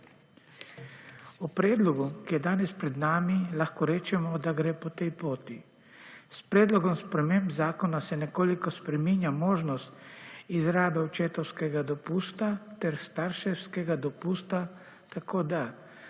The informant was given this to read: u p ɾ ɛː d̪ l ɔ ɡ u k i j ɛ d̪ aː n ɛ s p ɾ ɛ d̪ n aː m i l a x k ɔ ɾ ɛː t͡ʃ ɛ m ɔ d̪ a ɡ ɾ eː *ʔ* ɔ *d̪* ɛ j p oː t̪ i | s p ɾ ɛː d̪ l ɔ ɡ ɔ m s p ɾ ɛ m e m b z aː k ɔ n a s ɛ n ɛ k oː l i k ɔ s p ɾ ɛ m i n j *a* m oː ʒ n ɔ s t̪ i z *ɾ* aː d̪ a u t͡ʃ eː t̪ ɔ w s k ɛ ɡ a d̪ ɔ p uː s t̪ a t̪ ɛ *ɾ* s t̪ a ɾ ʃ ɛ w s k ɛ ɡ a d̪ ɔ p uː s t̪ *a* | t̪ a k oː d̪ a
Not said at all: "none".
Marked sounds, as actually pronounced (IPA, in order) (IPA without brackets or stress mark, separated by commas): p, t̪, a, ɾ, ɾ, a